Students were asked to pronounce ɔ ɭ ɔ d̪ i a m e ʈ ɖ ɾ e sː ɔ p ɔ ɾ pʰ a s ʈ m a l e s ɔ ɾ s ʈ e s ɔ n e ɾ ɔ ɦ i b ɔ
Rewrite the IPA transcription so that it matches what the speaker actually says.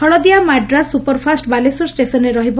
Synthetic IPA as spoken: ɔ ɭ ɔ d̪ i a m a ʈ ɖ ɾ a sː u p ɔ ɾ pʰ a s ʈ b a l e s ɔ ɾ s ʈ e s ɔ n e ɾ ɔ ɦ i b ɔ

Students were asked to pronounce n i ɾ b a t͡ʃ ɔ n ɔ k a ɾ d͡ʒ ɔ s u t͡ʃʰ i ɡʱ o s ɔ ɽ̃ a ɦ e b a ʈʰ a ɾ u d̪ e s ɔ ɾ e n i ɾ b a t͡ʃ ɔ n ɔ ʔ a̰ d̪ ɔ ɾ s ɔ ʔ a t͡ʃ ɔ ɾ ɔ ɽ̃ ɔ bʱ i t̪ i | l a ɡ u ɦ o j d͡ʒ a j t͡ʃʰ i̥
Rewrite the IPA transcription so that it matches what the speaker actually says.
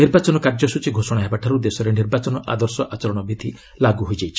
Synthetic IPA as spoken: n i ɾ b a t͡ʃ ɔ n ɔ k a ɾ d͡ʒ ɔ s u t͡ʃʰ i ɡʱ o s ɔ ɽ̃ a ɦ e b a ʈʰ a ɾ u d̪ e s ɔ ɾ e n i ɾ b a t͡ʃ ɔ n ɔ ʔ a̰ d̪ ɔ ɾ s ɔ ʔ a t͡ʃ ɔ ɾ ɔ ɽ̃ ɔ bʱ i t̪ i | l a ɡ u ɦ o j d͡ʒ a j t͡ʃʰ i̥

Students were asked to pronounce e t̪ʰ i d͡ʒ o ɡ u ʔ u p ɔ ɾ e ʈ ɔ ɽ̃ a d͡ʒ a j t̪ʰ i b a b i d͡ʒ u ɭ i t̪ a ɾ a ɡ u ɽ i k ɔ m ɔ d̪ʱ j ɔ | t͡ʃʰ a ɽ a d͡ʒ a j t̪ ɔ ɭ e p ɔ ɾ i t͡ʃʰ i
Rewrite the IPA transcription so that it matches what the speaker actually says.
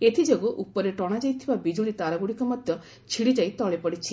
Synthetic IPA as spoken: e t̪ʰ i d͡ʒ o ɡ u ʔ u p ɔ ɾ e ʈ ɔ ɽ̃ a d͡ʒ a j t̪ʰ i b a b i d͡ʒ u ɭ i t̪ a ɾ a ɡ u ɽ i k ɔ m ɔ d̪ʱ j ɔ | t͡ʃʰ i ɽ i d͡ʒ a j t̪ ɔ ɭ e p ɔ ɽ i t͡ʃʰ i

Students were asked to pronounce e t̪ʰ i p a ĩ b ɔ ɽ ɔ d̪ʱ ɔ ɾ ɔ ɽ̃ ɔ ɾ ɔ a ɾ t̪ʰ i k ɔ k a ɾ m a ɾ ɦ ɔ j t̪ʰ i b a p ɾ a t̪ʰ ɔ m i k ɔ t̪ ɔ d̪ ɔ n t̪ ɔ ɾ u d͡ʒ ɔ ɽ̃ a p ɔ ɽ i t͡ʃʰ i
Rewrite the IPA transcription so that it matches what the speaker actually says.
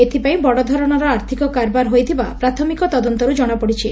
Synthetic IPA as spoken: e t̪ʰ i p a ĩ b ɔ ɽ ɔ d̪ʱ ɔ ɾ ɔ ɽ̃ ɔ ɾ ɔ a ɾ t̪ʰ i k ɔ k a ɾ b a ɾ ɦ o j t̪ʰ i b a p ɾ a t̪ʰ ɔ m i k ɔ t̪ ɔ d̪ ɔ n t̪ ɔ ɾ u d͡ʒ ɔ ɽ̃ a p ɔ ɽ i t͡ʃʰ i

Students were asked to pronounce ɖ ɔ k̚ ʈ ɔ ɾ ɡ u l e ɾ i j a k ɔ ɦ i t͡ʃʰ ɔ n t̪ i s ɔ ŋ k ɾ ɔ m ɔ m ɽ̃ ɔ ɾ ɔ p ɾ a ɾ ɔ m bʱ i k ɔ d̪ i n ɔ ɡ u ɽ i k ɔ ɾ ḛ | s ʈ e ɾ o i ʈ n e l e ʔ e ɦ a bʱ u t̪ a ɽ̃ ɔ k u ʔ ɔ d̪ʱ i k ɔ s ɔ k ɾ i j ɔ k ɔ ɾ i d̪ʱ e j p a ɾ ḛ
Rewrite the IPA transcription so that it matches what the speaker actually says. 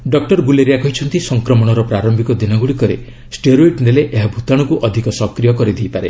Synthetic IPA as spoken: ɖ ɔ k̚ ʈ ɔ ɾ ɡ u l e ɾ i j a k ɔ ɦ i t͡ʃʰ ɔ n t̪ i s ɔ ŋ k ɾ ɔ m ɔ ɽ̃ ɔ ɾ ɔ p ɾ a ɾ ɔ m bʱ i k ɔ d̪ i n ɔ ɡ u ɽ i k ɔ ɾ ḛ | s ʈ e ɾ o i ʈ n e l e ʔ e ɦ a bʱ u t̪ a ɽ̃ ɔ k u ʔ ɔ d̪ʱ i k ɔ s ɔ k ɾ i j ɔ k ɔ ɾ i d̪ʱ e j p a ɾ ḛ

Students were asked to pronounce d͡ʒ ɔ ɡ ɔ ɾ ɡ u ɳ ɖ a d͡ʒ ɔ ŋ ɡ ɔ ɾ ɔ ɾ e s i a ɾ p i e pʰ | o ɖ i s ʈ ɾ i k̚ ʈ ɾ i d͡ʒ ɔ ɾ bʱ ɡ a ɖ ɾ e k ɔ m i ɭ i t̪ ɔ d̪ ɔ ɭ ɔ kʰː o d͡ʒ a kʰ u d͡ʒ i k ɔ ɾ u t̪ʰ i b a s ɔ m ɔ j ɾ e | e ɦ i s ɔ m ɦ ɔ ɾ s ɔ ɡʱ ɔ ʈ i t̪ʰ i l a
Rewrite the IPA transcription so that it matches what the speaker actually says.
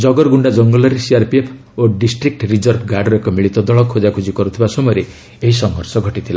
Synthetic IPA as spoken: d͡ʒ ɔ ɡ ɔ ɾ ɡ u ɳ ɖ a d͡ʒ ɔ ŋ ɡ ɔ l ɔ ɾ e s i a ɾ p i e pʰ | o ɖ i s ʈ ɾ i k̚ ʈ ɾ i d͡ʒ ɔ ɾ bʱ ɡ a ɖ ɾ e k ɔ m i ɭ i t̪ ɔ d̪ ɔ ɭ ɔ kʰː o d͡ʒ a kʰ u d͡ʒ i k ɔ ɾ u t̪ʰ i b a s ɔ m ɔ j ɾ e | e ɦ i s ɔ ŋ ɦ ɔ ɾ s ɔ ɡʱ ɔ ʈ i t̪ʰ i l a

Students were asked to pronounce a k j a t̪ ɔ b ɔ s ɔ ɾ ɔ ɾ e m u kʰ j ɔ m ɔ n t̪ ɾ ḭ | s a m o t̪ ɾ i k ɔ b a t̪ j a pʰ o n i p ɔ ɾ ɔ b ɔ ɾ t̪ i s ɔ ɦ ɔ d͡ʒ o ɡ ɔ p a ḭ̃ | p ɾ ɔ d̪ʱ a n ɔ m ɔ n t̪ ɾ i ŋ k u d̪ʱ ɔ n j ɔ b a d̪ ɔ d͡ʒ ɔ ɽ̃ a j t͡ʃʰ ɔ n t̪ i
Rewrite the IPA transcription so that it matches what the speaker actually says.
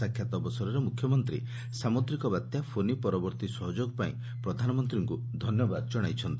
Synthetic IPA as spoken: a kʰ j a t̪ ɔ b ɔ s ɔ ɾ ɔ ɾ e m u kʰ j ɔ m ɔ n t̪ ɾ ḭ | s a m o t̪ ɾ i k ɔ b a t̪ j a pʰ o n i p ɔ ɾ ɔ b ɔ ɾ t̪ i s ɔ ɦ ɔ d͡ʒ o ɡ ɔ p a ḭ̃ | p ɾ ɔ d̪ʱ a n ɔ m ɔ n t̪ ɾ i ŋ k u d̪ʱ ɔ n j ɔ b a d̪ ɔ d͡ʒ ɔ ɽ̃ a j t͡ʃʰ ɔ n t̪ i

